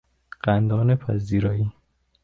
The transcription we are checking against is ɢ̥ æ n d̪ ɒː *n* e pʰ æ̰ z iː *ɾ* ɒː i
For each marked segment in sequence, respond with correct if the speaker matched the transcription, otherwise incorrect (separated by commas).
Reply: correct, correct